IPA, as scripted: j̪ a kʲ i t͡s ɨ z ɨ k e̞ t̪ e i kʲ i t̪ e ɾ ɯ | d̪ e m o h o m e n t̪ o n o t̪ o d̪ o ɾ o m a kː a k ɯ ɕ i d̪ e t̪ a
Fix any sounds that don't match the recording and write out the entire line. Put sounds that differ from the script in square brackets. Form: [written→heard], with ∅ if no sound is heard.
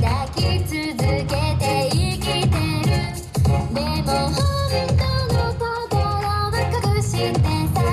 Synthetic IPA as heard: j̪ a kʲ i t͡s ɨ z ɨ k e̞ t̪ e i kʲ i t̪ e ɾ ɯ | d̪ e m o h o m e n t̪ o n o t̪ o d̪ o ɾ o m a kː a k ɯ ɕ i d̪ e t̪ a